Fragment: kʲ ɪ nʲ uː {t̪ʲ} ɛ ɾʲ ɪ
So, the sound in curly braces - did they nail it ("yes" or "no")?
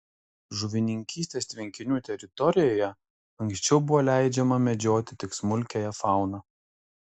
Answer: yes